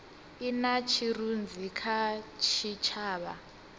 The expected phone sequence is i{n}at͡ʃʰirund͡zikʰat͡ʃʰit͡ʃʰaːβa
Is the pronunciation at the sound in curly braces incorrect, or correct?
correct